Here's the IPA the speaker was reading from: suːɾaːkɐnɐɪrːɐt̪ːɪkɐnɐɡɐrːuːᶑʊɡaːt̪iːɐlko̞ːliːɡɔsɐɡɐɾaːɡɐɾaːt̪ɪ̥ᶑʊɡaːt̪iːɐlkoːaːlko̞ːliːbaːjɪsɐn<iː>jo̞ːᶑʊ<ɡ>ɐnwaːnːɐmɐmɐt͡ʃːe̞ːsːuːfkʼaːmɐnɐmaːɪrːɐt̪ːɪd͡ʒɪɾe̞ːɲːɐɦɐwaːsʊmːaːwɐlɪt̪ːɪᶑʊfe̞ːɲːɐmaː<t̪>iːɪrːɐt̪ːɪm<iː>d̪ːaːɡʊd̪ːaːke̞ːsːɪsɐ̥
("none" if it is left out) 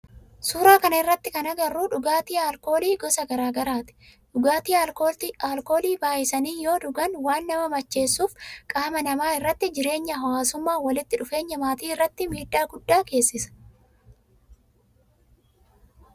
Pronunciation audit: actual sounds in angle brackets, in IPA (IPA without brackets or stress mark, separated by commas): iː, ɡ, t̪, iː